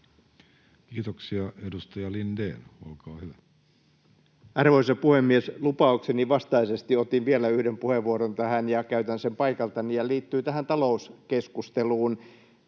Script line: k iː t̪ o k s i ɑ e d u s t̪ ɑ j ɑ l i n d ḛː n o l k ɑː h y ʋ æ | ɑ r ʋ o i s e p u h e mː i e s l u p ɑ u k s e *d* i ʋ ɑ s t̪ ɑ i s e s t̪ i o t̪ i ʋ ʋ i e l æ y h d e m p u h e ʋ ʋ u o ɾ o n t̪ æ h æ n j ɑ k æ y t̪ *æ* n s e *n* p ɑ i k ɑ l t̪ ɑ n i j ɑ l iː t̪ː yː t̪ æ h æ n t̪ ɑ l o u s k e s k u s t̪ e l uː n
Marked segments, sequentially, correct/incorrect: incorrect, correct, incorrect

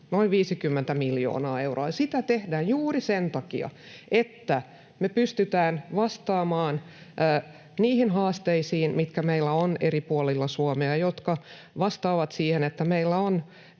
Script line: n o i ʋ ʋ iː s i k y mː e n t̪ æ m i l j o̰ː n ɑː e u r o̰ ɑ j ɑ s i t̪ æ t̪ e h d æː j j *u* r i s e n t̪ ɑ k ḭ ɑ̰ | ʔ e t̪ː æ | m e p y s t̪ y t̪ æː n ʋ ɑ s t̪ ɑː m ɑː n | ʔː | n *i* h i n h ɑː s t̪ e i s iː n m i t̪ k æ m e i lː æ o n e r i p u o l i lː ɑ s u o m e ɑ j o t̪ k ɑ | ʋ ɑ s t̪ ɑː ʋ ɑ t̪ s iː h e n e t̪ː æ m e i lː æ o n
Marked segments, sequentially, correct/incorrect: incorrect, incorrect

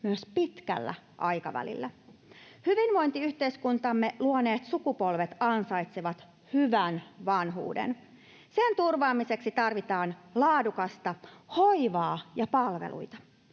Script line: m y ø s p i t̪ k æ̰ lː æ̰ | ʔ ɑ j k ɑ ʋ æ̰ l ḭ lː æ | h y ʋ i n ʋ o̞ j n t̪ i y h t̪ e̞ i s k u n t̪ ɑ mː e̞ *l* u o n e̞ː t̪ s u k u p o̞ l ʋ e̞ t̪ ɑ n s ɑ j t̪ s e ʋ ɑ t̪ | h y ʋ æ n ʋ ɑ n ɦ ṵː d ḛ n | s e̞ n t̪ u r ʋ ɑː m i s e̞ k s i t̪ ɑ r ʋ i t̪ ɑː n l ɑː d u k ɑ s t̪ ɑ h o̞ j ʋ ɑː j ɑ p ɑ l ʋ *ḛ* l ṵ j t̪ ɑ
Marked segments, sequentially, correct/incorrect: correct, correct

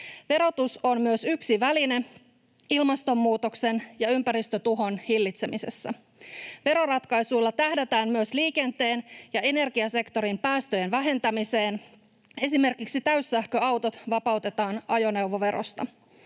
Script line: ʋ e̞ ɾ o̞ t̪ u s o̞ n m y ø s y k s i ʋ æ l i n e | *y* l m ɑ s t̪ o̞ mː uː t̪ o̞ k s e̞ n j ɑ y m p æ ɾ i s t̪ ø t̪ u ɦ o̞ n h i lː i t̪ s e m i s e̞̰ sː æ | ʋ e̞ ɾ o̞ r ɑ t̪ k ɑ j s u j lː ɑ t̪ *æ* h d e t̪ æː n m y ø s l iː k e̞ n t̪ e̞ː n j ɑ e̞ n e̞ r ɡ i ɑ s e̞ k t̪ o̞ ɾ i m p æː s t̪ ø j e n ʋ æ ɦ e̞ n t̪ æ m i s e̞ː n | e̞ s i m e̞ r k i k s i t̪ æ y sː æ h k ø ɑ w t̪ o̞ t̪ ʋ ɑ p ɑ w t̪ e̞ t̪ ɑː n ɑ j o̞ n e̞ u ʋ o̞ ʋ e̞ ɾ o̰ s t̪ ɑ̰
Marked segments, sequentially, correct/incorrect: incorrect, correct

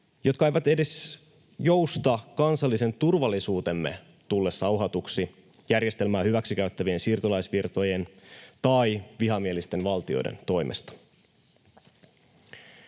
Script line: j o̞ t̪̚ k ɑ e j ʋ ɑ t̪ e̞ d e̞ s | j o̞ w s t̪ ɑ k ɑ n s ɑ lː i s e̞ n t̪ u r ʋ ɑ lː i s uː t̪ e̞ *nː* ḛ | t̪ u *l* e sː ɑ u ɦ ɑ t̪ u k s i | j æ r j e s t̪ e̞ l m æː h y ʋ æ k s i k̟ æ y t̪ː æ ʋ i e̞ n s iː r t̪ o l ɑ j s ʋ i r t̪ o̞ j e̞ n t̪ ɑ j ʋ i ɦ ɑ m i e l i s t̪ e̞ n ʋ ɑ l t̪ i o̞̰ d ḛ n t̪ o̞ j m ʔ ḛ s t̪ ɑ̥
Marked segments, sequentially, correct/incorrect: incorrect, incorrect

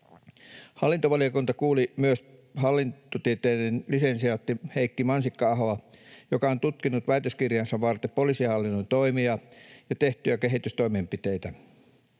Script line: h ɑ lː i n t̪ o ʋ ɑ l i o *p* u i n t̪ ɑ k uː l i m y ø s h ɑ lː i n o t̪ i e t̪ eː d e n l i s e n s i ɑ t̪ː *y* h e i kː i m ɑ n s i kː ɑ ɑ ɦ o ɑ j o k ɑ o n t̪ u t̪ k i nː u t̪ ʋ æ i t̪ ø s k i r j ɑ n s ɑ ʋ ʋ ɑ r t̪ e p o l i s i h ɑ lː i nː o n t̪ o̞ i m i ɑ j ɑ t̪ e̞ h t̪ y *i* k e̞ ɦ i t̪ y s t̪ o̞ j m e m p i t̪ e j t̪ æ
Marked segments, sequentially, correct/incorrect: incorrect, incorrect, incorrect

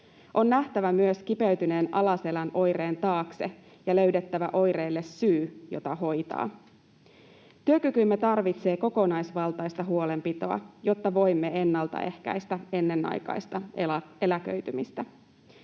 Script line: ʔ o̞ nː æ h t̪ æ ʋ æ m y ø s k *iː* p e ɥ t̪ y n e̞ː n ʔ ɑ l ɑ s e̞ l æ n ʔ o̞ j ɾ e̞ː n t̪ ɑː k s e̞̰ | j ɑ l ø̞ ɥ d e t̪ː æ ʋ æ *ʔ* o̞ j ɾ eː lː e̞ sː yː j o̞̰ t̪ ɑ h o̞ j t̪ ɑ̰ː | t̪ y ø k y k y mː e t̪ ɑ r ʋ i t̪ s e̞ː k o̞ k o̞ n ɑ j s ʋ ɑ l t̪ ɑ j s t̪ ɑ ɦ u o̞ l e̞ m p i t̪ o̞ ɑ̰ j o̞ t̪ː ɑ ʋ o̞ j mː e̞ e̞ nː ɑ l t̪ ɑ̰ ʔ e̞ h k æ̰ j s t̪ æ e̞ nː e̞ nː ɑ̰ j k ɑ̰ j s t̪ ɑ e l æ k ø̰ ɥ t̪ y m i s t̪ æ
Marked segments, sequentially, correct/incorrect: incorrect, correct

